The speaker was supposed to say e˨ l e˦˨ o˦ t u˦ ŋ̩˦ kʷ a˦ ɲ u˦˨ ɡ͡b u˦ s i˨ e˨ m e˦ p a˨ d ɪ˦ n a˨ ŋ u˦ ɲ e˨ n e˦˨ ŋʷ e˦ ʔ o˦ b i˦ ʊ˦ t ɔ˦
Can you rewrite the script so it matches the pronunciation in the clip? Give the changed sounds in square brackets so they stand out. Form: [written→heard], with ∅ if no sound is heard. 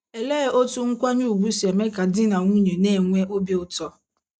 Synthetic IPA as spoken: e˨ l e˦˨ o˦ t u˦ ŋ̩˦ kʷ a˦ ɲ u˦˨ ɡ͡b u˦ s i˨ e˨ m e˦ [p→k] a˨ d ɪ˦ n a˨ ŋ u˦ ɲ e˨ n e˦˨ ŋʷ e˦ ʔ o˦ b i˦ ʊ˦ t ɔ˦